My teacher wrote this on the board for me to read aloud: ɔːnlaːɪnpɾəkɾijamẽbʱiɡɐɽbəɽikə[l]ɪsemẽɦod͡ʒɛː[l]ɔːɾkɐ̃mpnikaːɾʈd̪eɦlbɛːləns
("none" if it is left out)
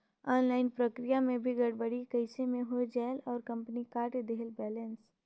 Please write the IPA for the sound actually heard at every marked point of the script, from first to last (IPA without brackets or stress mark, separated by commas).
none, l